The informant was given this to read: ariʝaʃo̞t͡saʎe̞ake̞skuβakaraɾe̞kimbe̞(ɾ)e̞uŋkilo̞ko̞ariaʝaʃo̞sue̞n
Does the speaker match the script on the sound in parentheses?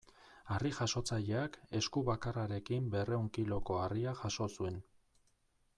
no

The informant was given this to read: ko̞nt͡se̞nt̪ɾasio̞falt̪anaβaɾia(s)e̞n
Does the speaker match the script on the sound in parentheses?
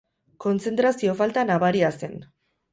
yes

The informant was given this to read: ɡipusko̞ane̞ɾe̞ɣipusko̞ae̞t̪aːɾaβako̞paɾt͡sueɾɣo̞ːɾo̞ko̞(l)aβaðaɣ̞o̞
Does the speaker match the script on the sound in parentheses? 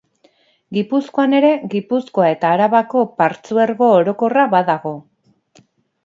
no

